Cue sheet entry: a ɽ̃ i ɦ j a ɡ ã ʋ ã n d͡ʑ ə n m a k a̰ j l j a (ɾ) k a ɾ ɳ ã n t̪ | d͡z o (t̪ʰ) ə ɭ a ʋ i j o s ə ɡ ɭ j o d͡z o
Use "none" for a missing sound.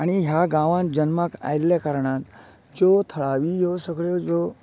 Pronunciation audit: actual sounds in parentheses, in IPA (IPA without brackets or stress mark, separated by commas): none, t̪ʰ